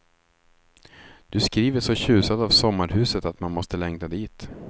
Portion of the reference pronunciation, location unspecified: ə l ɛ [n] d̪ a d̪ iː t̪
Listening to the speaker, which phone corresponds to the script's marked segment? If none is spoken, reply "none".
ŋ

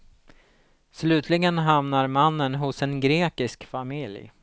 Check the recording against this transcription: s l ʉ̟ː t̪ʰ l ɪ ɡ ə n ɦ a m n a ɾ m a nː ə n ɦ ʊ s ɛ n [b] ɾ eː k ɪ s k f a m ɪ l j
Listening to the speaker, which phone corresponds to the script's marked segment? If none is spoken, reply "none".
ɡ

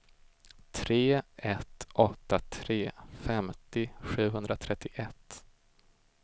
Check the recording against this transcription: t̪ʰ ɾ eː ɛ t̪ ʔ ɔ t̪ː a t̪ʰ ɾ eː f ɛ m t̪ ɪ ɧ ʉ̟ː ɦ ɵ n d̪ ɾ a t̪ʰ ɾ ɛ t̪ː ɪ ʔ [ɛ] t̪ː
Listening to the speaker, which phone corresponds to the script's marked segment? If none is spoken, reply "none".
ɛ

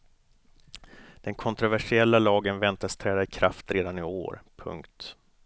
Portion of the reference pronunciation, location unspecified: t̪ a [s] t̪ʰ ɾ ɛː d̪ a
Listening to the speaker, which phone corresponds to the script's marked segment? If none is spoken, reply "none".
s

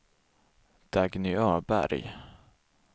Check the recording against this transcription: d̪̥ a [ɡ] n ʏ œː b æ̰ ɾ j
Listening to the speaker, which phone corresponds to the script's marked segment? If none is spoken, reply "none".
ɡ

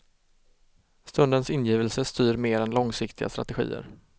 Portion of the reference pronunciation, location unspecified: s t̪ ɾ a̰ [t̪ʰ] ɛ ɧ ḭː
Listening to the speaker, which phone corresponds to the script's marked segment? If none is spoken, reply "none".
t̪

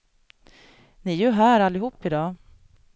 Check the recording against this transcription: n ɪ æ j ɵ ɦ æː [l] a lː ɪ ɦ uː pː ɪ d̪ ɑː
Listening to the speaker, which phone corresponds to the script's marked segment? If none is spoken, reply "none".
ɾ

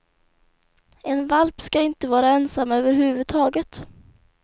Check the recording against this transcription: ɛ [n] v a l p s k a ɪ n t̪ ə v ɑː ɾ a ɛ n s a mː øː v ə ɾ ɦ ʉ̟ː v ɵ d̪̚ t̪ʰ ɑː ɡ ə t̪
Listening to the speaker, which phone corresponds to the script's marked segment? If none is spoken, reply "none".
n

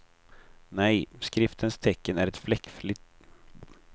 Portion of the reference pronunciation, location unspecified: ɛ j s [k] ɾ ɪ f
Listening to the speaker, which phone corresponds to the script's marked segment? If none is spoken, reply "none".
k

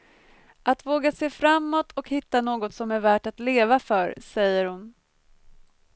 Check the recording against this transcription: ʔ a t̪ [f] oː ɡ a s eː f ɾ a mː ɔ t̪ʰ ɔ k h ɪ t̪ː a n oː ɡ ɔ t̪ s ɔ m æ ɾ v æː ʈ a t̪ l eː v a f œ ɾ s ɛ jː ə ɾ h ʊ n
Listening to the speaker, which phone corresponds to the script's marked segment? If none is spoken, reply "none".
v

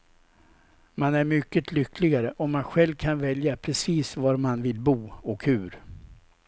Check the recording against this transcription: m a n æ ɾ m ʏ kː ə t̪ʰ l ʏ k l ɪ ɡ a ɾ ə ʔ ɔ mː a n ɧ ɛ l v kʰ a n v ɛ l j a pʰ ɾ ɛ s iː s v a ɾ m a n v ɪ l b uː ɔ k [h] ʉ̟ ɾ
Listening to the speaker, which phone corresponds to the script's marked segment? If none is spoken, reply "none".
h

